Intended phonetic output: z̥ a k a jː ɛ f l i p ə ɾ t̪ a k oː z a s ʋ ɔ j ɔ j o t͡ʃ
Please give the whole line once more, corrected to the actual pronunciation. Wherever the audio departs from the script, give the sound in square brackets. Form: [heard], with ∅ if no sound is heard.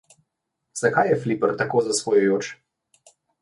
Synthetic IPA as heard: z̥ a k a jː ɛ f l i p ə ɾ t̪ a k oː z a s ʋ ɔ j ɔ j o t͡ʃ